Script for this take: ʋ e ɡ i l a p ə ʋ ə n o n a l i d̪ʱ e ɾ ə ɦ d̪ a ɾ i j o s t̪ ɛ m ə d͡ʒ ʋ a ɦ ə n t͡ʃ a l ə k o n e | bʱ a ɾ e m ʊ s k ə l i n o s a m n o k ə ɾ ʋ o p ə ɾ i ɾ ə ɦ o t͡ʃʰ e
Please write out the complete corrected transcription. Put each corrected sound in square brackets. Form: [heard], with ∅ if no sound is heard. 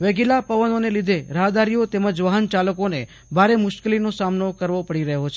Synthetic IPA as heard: ʋ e ɡ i l a p ə ʋ ə n o n [e] l i d̪ʱ e ɾ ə ɦ d̪ a ɾ i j o [∅] t̪ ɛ m ə d͡ʒ ʋ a ɦ ə n t͡ʃ a l ə k o n e | bʱ a ɾ e m ʊ [ʃ] k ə l i n o s a m n o k ə ɾ ʋ o p ə [ɽ] i ɾ ə ɦ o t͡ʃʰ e